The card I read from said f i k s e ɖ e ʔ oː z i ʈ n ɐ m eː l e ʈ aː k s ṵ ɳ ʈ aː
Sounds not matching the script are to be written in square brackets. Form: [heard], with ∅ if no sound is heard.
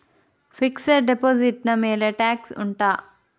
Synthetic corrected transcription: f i k s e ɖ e [p] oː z i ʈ n ɐ m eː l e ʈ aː k s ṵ ɳ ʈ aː